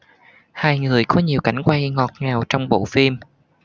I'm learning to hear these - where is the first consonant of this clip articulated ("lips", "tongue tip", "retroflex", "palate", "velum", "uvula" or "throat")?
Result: throat